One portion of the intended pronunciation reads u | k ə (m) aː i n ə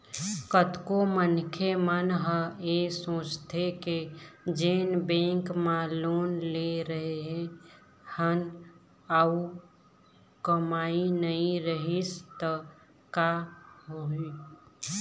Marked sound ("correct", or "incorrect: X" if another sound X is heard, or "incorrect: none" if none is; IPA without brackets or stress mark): correct